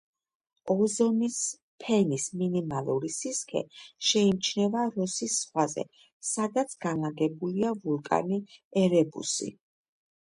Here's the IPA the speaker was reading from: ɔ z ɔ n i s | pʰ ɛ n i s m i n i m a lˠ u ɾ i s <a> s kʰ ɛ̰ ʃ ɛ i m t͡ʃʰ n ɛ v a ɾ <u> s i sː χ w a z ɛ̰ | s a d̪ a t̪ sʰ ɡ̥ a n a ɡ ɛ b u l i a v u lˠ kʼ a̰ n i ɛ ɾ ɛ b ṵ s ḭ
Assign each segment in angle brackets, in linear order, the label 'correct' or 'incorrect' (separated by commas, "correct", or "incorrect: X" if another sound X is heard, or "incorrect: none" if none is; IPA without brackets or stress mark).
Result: incorrect: i, incorrect: ɔ